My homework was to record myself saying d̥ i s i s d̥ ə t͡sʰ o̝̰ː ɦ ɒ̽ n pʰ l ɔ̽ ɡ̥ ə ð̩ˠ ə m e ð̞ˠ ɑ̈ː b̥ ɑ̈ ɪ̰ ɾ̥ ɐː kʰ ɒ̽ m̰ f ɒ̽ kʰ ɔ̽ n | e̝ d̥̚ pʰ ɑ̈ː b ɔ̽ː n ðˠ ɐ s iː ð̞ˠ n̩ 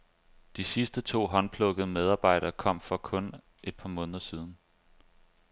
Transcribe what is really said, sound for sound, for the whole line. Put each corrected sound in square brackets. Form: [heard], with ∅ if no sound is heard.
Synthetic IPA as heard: d̥ i s i s d̥ ə t͡sʰ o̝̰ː ɦ ɒ̽ n pʰ l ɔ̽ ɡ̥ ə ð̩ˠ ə m e ð̞ˠ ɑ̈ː b̥ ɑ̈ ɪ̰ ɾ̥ ɐː kʰ ɒ̽ m̰ f ɒ̽ kʰ ɔ̽ n | e̝ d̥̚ pʰ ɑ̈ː [m] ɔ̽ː n ðˠ ɐ s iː ð̞ˠ n̩